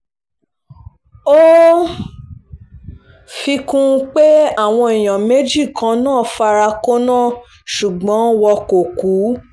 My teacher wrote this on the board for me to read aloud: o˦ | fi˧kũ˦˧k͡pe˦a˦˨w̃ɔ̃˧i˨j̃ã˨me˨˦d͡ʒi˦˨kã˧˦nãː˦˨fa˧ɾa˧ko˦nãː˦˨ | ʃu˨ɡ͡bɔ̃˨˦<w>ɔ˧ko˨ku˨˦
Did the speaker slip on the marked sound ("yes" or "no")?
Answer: no